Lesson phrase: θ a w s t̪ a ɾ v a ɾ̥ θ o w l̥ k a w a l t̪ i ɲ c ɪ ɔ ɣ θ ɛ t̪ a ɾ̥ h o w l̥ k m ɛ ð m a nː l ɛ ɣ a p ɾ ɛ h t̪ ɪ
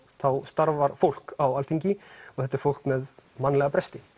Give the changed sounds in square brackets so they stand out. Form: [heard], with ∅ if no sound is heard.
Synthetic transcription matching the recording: θ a w s t̪ a ɾ v a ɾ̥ [f] o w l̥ k a w a l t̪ i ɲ c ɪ ɔ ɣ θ ɛ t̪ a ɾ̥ [f] o w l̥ k m ɛ ð m a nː l ɛ ɣ a p ɾ ɛ [s] t̪ ɪ